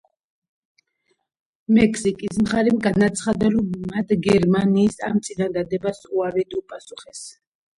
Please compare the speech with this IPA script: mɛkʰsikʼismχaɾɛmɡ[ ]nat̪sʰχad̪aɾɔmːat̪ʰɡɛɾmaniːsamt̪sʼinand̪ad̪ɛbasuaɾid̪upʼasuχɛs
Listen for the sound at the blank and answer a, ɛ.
a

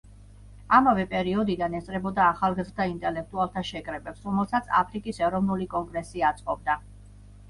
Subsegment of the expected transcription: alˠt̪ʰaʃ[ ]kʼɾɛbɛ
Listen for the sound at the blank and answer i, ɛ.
ɛ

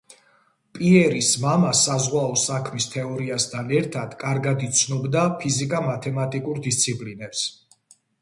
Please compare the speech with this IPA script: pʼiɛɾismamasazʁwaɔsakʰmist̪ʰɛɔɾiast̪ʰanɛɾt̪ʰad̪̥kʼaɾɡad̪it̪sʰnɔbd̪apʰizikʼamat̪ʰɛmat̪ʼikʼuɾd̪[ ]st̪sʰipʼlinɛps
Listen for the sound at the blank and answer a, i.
i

